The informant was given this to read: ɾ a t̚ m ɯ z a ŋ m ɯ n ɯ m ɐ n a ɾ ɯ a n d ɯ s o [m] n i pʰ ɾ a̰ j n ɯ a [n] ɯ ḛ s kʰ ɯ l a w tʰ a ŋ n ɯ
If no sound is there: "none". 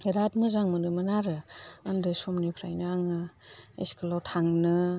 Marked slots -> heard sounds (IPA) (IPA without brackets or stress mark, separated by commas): m, ŋ